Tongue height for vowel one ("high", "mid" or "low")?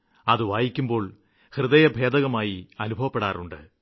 low